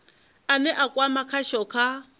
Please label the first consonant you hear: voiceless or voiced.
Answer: voiced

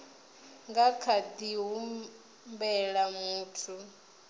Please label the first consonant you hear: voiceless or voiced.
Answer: voiced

